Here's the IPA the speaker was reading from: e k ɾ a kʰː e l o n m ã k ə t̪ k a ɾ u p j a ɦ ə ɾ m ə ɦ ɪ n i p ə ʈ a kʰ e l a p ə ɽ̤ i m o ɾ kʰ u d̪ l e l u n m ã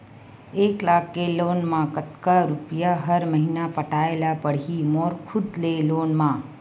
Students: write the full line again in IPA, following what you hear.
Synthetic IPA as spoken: e k l a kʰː e l o n m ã k ə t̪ k a ɾ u p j a ɦ ə ɾ m ə ɦ i n a p ə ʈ a e l a p ə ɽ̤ i m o ɾ kʰ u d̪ l e l o n m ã